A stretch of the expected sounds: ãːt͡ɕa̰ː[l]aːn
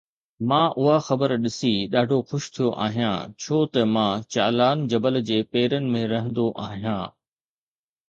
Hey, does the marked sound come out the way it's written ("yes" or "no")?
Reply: yes